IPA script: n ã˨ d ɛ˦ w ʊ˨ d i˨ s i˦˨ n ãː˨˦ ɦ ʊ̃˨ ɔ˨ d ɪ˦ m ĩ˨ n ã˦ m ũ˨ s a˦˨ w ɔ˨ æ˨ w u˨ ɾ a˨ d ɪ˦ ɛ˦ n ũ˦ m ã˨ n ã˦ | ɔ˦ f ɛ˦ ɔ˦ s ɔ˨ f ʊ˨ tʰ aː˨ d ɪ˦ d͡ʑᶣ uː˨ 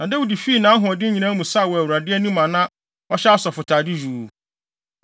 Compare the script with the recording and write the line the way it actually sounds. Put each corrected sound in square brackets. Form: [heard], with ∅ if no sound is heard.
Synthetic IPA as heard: n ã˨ d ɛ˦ w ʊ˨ d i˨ [f] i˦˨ n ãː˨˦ ɦ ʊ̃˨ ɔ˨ d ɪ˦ [ɲ] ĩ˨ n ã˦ m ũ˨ s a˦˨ w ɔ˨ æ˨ w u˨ ɾ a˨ d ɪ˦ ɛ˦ n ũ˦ m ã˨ n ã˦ | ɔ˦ [ɕ] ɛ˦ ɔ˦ s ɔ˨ f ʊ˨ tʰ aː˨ d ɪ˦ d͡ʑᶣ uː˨